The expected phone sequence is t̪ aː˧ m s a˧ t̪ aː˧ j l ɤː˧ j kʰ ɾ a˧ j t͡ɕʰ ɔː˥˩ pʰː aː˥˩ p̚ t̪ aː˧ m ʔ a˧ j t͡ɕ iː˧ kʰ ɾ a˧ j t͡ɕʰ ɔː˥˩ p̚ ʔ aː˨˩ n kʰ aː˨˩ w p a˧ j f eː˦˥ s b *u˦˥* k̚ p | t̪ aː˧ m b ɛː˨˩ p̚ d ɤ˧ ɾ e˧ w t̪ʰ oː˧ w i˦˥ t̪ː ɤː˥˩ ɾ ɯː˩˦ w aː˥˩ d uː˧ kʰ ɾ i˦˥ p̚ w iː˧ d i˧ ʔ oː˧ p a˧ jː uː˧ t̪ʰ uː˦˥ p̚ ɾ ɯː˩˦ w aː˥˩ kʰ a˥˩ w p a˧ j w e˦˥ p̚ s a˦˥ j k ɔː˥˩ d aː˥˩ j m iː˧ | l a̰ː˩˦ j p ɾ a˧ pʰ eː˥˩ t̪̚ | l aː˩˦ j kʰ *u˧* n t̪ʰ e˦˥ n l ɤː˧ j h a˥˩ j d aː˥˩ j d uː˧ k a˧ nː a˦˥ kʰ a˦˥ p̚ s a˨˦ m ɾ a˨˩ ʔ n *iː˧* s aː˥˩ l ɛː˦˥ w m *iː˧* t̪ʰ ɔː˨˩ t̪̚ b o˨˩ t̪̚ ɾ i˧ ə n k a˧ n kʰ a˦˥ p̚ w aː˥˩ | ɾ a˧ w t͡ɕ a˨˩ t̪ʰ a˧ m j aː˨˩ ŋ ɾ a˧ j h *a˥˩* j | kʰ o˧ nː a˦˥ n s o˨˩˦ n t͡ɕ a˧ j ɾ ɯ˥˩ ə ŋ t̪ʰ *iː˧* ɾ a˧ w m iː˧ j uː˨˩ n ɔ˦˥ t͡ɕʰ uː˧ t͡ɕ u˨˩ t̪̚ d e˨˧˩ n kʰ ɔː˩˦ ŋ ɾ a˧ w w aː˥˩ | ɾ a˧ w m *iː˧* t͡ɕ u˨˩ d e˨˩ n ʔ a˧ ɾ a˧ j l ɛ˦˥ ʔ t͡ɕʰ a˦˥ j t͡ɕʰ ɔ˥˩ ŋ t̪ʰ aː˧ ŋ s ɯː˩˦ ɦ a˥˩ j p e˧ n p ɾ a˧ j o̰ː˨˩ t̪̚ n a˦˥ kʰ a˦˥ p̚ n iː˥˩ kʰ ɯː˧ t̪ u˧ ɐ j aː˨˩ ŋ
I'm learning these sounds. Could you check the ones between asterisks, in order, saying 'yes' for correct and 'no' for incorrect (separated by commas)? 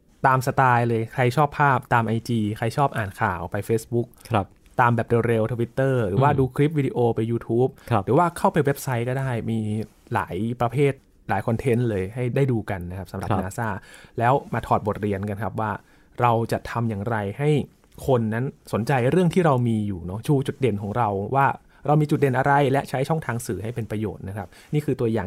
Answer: yes, no, no, no, yes, no, yes